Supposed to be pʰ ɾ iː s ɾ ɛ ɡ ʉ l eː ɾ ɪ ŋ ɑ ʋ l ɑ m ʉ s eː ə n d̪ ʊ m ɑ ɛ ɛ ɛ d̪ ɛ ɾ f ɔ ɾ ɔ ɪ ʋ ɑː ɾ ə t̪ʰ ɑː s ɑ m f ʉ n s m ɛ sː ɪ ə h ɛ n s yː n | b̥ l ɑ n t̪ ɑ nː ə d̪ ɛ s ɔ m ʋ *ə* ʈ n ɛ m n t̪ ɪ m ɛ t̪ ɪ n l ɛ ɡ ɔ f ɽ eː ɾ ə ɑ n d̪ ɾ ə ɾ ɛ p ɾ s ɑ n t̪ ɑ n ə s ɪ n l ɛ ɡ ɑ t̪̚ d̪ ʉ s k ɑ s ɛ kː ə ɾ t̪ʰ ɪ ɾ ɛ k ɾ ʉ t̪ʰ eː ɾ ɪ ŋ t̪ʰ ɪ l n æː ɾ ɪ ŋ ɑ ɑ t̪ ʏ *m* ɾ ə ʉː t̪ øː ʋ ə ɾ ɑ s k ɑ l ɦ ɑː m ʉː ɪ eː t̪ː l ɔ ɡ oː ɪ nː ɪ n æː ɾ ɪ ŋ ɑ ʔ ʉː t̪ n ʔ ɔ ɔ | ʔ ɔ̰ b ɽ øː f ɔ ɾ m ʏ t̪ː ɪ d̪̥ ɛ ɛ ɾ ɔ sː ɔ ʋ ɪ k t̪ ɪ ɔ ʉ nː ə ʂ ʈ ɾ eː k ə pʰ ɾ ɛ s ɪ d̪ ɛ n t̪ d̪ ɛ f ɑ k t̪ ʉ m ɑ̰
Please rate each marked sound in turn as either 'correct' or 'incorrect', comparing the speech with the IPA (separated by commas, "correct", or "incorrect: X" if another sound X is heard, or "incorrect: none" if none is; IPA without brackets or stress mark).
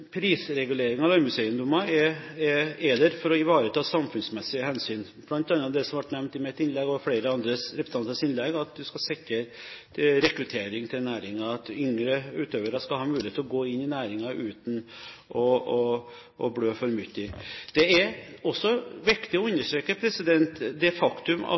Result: incorrect: ɑ, incorrect: ŋ